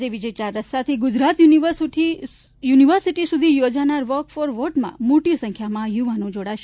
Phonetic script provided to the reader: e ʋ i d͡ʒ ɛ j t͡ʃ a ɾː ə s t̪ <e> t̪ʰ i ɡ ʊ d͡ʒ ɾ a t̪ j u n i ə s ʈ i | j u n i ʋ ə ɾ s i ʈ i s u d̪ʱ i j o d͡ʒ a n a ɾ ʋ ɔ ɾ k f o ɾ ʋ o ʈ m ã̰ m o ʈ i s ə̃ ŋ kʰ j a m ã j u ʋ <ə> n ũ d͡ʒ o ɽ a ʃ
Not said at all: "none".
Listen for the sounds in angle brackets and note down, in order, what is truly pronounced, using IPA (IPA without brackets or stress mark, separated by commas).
a, a